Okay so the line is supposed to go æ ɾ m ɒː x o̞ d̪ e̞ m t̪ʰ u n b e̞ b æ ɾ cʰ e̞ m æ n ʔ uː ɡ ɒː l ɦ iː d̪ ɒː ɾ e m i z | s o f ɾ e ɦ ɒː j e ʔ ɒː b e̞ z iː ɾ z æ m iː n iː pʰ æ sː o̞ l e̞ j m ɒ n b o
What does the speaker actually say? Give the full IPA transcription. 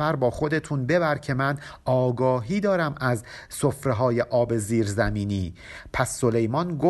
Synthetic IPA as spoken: æ ɾ b ɒː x o̞ d̪ e̞ t̪ʰ u n b e̞ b æ ɾ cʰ e̞ m æ n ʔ ɒː ɡ ɒː ɦ iː d̪ ɒː ɾ æ m æ z | s o f ɾ e ɦ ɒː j e ʔ ɒː b e̞ z iː ɾ z æ m iː n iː pʰ æ sː o̞ l e̞ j m ɒ n ɡ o